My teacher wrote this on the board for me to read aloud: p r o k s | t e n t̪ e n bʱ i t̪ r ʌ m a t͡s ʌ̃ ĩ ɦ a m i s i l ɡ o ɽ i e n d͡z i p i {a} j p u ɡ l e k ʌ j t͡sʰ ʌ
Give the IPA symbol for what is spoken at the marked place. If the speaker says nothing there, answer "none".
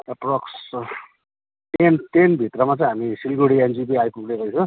a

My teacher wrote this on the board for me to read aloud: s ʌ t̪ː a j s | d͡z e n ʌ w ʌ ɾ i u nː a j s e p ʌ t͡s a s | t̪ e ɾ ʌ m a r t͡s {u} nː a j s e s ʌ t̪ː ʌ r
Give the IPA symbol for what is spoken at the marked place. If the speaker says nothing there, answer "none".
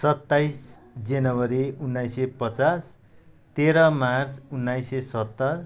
u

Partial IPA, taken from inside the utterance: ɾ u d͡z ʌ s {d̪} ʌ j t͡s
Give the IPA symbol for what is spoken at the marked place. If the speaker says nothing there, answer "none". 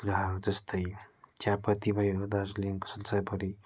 t̪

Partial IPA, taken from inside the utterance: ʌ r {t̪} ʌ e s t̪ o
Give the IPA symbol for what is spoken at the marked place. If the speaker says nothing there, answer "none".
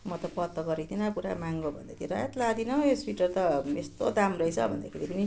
t̪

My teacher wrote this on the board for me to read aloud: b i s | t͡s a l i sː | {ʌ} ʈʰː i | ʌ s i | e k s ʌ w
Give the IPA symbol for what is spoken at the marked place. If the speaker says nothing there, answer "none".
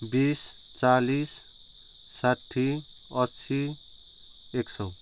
a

